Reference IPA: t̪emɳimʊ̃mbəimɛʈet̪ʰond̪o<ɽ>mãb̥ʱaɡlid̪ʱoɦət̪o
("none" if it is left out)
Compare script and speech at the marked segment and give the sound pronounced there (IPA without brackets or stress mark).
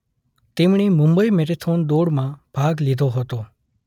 ɽ